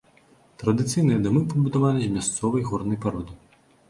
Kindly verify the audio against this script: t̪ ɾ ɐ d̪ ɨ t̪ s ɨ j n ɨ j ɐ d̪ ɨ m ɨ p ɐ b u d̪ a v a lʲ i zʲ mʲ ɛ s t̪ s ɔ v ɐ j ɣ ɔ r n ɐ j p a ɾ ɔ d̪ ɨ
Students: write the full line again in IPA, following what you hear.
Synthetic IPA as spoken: t̪ ɾ ɐ d̪ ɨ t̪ s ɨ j n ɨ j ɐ d̪ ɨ m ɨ p ɐ b u d̪ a v a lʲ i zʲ mʲ a s t̪ s ɔ v ɐ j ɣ ɔ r n ɐ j p a ɾ ɔ d̪ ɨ